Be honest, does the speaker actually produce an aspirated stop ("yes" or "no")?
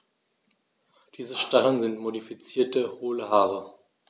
no